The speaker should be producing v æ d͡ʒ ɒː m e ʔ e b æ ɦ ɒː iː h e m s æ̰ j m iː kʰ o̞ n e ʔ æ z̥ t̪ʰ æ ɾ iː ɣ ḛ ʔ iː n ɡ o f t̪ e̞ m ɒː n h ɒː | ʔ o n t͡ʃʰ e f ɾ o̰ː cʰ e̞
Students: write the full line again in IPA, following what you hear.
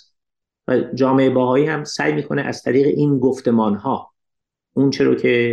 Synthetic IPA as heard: v æ d͡ʒ ɒː m e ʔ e b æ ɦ ɒː iː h æ m s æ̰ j m iː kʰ o̞ n e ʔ æ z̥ t̪ʰ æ ɾ iː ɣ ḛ ʔ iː n ɡ o f t̪ e̞ m ɒː n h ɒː | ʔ u n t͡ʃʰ e ɾ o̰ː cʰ e̞